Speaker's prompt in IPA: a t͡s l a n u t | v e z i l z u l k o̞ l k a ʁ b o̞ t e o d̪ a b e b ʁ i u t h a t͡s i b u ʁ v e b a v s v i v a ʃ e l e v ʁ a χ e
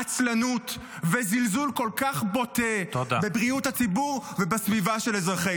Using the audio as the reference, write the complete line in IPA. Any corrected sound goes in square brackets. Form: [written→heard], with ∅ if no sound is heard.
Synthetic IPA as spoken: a t͡s l a n u t | v e z i l z u l k o̞ l k a [ʁ→χ] b o̞ t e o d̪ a b e b ʁ i u t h a t͡s i b u ʁ v e b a [v→∅] s v i v a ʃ e l e [v→z] ʁ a χ e